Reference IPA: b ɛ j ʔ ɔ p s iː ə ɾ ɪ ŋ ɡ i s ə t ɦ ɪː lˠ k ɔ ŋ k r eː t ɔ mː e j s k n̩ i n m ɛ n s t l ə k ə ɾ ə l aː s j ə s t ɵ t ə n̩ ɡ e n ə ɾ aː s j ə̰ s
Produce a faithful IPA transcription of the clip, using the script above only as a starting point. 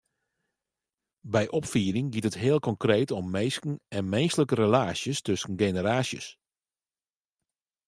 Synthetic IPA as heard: b ɛ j ʔ ɔ p f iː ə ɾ ɪ ŋ ɡ i t ə t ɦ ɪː lˠ k ɔ ŋ k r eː t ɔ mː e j s k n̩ ɛ n m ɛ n s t l ə k ə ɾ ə l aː s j ə s t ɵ s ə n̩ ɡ e n ə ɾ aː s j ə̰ s